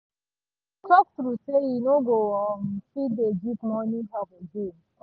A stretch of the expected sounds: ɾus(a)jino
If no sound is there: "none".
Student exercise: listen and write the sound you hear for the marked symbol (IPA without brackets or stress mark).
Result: e